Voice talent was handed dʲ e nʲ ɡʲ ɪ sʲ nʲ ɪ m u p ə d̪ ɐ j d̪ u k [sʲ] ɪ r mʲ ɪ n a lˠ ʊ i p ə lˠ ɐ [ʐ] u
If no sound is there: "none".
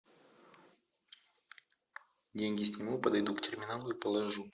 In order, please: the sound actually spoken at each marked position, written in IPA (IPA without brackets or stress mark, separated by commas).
tʲ, ʐ